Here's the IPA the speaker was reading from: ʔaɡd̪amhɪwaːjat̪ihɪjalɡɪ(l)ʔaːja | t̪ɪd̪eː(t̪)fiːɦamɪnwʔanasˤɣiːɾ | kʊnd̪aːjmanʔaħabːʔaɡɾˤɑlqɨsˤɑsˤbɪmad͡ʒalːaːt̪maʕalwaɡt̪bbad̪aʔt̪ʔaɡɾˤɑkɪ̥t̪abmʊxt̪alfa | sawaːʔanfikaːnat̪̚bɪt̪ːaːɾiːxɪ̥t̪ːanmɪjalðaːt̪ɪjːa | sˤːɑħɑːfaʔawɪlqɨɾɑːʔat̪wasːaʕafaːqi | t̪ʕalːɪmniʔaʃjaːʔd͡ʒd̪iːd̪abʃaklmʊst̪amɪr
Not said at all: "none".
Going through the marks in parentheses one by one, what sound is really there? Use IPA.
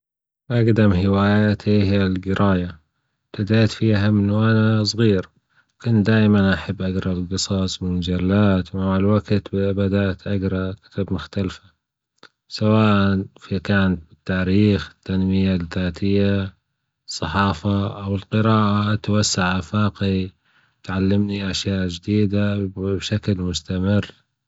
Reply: ɾ, t̪

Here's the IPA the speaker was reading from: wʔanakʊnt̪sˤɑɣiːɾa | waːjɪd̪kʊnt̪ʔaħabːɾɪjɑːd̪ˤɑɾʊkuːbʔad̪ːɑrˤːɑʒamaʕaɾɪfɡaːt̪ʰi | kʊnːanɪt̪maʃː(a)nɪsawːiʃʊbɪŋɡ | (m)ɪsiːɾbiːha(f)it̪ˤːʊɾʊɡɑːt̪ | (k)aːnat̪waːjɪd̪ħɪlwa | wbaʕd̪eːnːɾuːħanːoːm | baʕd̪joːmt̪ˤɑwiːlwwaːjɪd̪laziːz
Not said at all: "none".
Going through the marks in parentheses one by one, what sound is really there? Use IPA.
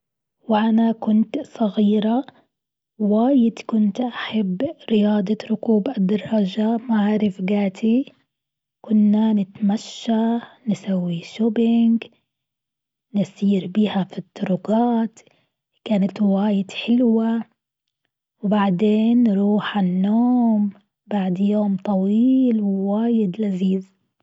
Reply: a, n, f, k

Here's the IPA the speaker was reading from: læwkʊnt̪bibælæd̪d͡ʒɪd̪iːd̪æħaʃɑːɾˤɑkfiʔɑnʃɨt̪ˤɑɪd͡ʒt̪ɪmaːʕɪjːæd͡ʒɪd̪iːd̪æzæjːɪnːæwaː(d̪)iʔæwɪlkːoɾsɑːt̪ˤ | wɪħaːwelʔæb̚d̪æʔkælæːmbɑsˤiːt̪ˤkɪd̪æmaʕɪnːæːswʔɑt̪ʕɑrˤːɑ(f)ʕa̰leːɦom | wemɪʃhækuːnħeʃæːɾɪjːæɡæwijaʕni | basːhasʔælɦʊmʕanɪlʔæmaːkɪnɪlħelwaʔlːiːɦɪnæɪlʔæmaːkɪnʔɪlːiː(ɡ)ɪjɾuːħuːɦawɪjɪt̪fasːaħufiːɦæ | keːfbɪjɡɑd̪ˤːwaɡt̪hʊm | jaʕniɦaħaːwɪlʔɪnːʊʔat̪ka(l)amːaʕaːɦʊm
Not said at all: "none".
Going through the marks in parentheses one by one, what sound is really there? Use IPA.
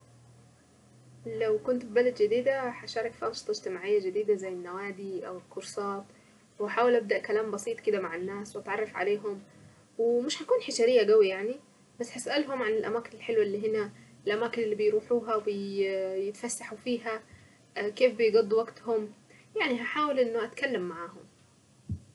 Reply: d̪, f, b, lː

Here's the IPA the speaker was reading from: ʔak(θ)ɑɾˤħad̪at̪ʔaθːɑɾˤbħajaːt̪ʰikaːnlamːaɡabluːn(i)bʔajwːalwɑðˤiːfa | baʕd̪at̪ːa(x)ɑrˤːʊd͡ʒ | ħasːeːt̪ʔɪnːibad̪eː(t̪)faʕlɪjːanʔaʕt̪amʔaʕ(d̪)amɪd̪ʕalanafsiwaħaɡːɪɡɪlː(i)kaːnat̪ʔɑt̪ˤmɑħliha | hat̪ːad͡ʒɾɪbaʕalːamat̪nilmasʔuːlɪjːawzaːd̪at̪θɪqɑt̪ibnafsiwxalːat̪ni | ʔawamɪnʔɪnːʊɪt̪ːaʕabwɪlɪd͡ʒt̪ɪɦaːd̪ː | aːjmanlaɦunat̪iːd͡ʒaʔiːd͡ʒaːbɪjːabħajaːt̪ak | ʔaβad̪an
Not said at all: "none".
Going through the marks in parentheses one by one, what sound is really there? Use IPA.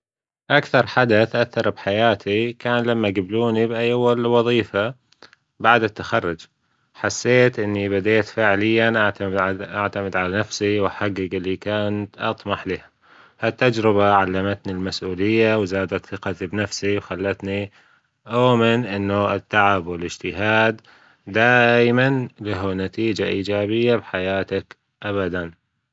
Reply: θ, i, x, t̪, t̪, i

